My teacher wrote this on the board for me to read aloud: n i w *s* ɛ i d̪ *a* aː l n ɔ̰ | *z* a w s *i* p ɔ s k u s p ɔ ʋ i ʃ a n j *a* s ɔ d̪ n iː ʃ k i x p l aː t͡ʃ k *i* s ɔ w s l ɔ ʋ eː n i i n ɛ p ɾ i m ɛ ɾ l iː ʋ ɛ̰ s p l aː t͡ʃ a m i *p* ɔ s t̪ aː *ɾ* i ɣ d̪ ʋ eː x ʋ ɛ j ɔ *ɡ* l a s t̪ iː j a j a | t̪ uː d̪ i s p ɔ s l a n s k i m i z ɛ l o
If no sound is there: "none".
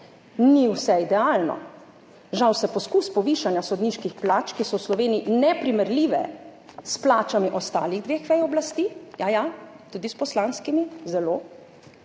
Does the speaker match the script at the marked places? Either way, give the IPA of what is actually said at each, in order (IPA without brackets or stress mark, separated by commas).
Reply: s, ɛ, ʒ, ɛ, a, i, ʔ, l, b